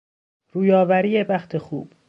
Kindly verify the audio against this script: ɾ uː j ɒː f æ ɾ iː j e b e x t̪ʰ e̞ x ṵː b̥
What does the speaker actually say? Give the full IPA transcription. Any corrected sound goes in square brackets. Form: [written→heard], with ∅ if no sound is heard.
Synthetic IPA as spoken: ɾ uː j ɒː [f→v] æ ɾ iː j e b [e→æ] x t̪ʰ e̞ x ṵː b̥

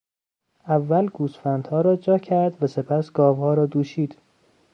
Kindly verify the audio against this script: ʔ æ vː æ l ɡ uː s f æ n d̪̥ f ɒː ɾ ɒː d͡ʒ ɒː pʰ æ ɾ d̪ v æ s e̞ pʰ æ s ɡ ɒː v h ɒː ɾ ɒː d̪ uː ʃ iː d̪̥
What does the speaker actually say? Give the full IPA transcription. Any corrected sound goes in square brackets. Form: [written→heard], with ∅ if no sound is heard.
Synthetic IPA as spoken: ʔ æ vː æ l ɡ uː s f æ n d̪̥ [f→h] ɒː ɾ ɒː d͡ʒ ɒː [pʰ→cʰ] æ ɾ d̪ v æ s e̞ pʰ æ s ɡ ɒː v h ɒː ɾ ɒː d̪ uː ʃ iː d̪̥

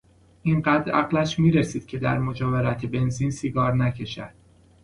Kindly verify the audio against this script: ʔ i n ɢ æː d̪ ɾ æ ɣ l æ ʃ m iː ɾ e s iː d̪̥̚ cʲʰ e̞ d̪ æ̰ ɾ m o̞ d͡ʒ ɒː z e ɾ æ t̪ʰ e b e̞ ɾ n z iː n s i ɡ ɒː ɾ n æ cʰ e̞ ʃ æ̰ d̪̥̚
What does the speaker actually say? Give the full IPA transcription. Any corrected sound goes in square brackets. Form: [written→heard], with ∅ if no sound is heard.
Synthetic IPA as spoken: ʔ i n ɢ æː d̪ ɾ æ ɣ l æ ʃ m iː ɾ e s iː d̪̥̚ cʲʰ e̞ d̪ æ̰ ɾ m o̞ d͡ʒ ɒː [z→v] e ɾ æ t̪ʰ e b e̞ [ɾ→∅] n z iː n s i ɡ ɒː ɾ n æ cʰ e̞ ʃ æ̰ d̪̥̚

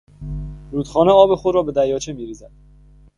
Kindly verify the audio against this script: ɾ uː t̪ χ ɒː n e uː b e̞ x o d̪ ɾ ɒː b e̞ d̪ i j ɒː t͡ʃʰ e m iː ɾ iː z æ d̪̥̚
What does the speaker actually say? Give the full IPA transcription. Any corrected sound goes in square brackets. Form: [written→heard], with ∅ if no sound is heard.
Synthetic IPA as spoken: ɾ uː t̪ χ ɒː n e [uː→ɒː] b e̞ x o d̪ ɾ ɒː b e̞ d̪ [i→æ] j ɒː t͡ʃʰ e m iː ɾ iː z æ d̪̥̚

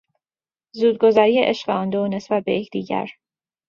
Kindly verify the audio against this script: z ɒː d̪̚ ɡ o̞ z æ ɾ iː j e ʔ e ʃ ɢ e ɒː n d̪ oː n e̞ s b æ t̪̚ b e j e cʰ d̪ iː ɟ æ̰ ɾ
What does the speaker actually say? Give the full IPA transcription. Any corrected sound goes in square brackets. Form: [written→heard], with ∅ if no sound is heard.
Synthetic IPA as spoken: z [ɒː→uː] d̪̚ ɡ o̞ z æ ɾ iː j e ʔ e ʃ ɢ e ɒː n d̪ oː n e̞ s b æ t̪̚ b e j e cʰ d̪ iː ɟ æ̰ ɾ

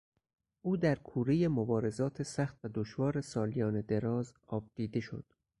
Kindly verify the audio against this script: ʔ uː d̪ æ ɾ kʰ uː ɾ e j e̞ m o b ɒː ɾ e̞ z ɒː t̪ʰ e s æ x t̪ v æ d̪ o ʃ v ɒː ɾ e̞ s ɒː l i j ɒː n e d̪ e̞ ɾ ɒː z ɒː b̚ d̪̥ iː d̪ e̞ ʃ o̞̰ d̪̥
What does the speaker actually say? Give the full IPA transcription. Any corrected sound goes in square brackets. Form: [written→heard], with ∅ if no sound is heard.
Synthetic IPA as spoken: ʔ uː d̪ æ ɾ kʰ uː ɾ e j e̞ m o b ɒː ɾ e̞ z ɒː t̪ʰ e s æ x t̪ v æ d̪ o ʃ v ɒː ɾ e̞ s ɒː l i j ɒː n e d̪ e̞ ɾ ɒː z ɒː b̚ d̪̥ iː d̪ e̞ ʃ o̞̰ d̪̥

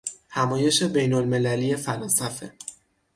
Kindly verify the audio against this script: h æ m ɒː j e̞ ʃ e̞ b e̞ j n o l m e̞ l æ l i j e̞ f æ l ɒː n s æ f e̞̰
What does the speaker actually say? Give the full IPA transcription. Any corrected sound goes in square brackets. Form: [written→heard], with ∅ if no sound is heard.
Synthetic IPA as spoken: h æ m ɒː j e̞ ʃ e̞ b e̞ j n o l m e̞ l æ l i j e̞ f æ l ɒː n s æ f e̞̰

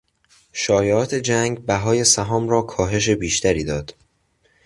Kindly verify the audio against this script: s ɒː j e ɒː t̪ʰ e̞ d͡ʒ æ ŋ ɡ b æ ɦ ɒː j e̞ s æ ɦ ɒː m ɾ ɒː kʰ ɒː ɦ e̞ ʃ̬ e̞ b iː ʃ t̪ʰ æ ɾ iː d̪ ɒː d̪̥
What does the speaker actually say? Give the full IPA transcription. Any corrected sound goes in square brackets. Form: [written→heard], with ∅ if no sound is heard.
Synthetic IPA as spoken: [s→ʃ] ɒː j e ɒː t̪ʰ e̞ d͡ʒ æ ŋ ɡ b æ ɦ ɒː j e̞ s æ ɦ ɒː m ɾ ɒː kʰ ɒː ɦ e̞ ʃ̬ e̞ b iː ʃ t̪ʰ æ ɾ iː d̪ ɒː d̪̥

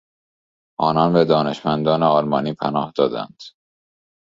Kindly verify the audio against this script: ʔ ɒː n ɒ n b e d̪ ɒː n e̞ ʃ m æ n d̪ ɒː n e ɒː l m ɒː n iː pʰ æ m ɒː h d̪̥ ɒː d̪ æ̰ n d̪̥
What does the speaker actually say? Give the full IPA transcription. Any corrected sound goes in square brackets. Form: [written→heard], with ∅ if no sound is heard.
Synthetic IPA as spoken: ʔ ɒː n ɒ n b e d̪ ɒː n e̞ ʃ m æ n d̪ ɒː n e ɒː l m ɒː n iː pʰ æ [m→n] ɒː h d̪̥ ɒː d̪ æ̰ n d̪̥

